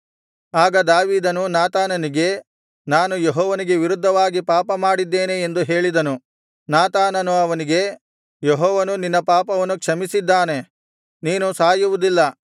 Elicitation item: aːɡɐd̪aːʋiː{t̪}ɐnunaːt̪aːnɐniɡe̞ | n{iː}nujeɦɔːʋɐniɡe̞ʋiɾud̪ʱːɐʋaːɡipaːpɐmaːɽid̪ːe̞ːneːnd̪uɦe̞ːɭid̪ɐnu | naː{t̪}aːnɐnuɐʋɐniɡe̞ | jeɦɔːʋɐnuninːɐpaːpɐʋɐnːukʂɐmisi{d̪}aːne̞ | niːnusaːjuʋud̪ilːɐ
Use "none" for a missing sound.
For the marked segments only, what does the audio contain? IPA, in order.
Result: d̪, aː, t̪, d̪ː

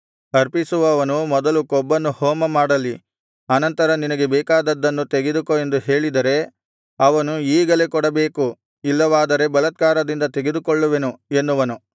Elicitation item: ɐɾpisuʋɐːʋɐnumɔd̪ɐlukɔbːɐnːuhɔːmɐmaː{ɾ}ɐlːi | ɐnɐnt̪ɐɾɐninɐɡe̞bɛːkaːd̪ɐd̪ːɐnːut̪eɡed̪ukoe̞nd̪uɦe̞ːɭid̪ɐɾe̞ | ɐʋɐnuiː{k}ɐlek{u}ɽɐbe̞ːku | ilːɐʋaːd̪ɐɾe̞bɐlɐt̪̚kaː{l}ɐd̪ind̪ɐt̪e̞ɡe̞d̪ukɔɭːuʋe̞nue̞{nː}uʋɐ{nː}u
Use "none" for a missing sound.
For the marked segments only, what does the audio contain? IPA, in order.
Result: ɽ, ɡ, ɔ, ɾ, nː, n

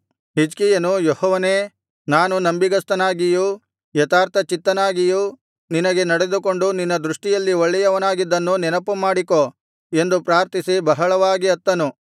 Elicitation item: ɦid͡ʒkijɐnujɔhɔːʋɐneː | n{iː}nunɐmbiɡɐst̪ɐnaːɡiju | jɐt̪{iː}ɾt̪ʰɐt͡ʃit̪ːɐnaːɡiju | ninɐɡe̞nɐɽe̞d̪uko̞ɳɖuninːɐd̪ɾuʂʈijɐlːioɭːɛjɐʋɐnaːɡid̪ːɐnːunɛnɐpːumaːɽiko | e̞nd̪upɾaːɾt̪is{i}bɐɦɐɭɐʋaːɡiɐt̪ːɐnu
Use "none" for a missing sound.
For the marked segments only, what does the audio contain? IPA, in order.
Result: aː, aː, i

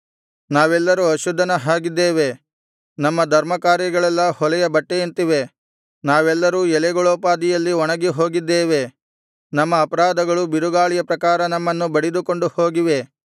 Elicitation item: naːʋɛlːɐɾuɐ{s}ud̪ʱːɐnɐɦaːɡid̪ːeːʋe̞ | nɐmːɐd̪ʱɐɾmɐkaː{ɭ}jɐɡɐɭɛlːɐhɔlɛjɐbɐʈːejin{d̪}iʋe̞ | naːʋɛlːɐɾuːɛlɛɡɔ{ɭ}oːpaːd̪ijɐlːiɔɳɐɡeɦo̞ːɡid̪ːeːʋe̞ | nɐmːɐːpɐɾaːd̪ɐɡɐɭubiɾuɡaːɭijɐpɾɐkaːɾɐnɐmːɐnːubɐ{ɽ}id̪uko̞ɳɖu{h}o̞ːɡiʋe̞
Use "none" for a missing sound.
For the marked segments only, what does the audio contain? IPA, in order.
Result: ʃ, ɾ, t̪, ɭ, ɽ, h

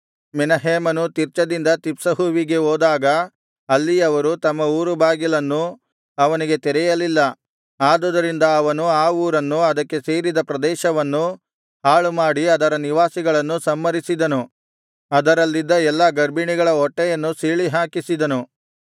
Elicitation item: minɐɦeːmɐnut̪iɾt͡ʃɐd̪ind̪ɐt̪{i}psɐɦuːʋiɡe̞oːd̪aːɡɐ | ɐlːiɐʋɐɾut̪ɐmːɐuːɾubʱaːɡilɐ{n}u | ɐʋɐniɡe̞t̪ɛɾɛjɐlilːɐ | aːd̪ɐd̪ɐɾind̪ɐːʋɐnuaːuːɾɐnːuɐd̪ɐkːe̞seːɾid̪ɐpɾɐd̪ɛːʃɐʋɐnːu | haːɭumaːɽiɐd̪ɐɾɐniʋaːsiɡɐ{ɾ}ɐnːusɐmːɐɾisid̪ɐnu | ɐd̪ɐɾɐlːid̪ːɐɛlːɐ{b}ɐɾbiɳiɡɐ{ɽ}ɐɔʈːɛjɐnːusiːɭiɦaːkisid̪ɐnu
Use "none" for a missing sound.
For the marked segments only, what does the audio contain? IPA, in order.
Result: i, nː, ɭ, ɡ, ɭ

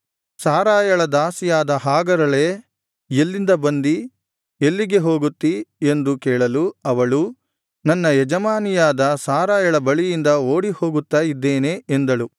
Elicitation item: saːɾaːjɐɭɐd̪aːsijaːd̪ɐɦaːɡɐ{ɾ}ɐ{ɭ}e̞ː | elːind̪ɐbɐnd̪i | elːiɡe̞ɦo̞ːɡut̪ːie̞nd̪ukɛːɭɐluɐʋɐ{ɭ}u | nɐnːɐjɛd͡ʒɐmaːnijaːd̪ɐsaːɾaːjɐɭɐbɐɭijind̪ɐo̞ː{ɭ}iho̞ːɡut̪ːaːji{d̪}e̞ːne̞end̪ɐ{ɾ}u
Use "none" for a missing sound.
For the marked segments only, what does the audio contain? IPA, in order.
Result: ɾ, ɭ, ɭ, ɽ, d̪ː, ɭ

